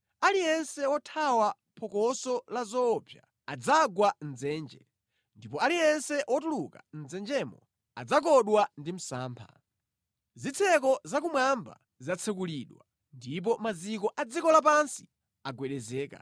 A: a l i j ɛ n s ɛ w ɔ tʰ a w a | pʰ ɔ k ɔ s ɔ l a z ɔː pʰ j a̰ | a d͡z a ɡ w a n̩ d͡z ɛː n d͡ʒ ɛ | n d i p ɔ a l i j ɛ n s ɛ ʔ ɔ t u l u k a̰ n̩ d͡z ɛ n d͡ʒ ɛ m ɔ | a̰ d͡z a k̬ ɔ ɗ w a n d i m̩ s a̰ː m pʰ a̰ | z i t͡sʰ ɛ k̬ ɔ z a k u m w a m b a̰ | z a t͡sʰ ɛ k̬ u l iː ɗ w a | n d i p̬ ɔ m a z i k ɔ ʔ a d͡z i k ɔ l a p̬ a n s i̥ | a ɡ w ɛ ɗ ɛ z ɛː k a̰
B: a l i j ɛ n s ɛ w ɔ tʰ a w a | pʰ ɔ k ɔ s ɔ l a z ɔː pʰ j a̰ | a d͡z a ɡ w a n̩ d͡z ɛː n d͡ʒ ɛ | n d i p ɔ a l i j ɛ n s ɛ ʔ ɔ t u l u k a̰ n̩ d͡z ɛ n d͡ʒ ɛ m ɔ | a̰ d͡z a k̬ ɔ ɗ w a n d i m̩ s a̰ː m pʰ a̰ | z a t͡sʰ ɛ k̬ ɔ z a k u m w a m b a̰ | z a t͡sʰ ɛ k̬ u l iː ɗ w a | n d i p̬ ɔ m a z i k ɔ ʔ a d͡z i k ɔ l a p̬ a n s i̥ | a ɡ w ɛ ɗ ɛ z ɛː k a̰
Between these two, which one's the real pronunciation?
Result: A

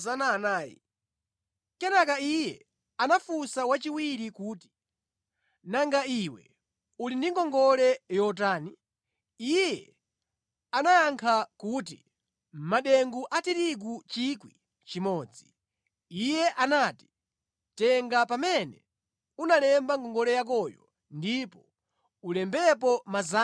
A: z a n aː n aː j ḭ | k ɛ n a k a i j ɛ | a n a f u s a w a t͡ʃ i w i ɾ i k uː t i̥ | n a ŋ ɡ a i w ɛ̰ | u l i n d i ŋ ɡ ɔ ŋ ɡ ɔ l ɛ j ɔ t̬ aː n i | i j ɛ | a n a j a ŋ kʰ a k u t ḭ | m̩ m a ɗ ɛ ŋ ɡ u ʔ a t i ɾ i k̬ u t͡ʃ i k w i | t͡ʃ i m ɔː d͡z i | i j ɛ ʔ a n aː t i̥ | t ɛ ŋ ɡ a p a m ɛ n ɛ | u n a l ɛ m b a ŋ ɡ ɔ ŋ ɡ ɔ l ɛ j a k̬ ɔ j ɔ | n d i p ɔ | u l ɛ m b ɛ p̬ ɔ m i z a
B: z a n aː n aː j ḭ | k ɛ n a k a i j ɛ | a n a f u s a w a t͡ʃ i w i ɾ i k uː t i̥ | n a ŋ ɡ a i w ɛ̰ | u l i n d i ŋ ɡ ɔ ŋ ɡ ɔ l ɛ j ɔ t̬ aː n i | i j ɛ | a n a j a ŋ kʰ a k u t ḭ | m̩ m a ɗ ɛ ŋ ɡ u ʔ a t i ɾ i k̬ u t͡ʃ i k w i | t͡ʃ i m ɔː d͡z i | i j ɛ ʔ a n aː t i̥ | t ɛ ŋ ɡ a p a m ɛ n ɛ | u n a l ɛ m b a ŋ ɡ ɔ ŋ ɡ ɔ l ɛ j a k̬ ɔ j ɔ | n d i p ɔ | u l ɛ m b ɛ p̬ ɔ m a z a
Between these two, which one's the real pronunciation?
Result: B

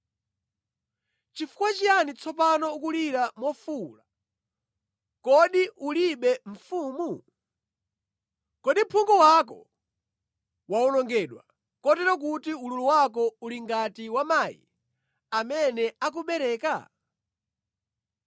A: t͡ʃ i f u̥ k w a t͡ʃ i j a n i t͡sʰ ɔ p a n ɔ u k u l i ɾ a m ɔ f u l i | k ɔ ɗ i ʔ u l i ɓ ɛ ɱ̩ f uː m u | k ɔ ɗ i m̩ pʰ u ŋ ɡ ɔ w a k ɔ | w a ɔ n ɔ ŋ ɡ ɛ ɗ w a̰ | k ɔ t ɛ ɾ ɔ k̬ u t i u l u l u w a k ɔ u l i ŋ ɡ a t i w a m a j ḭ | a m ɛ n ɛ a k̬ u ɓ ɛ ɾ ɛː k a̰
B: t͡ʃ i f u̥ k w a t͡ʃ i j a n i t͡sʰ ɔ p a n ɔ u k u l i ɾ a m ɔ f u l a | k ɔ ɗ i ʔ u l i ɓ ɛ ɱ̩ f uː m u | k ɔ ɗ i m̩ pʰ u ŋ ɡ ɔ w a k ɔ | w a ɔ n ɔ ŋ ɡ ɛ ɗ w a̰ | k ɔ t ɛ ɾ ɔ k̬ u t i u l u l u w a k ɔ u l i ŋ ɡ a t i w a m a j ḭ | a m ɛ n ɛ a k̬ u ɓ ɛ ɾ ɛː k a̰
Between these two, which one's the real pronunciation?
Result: B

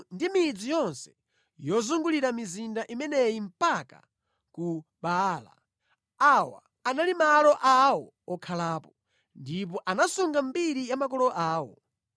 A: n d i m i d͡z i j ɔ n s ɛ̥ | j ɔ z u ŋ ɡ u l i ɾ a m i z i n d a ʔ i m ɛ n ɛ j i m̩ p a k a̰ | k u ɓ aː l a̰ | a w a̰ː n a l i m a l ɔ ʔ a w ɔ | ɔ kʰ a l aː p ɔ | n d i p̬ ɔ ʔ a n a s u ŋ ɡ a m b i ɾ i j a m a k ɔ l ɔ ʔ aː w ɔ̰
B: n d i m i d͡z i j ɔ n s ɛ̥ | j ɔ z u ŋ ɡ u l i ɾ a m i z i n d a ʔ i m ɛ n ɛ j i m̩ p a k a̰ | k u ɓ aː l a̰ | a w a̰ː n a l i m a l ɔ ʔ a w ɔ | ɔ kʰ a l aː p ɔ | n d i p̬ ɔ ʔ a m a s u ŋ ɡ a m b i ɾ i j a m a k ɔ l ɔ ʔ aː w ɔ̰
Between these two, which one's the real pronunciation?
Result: A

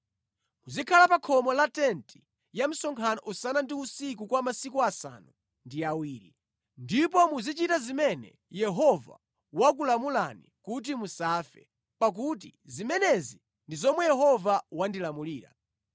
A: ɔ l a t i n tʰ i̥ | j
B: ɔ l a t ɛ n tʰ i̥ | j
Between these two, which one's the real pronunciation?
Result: B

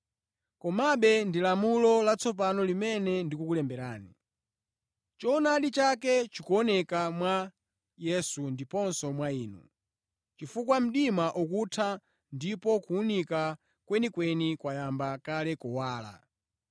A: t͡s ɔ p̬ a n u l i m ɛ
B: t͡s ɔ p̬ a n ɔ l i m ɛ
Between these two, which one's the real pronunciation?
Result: B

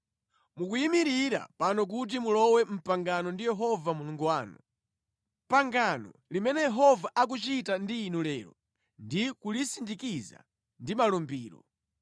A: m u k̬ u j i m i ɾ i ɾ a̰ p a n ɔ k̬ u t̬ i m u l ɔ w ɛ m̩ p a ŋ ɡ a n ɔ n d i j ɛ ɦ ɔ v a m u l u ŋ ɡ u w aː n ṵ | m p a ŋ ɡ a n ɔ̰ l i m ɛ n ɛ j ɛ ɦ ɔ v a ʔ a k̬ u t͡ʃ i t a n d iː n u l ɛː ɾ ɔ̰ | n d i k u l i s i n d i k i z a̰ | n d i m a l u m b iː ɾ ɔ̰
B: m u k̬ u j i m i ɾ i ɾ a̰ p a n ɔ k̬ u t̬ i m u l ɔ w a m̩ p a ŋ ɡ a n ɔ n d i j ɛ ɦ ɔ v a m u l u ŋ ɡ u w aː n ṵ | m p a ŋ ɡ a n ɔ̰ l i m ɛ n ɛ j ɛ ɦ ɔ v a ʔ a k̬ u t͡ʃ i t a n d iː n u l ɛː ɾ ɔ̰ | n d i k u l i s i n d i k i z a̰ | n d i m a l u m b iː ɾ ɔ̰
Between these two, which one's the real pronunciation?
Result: A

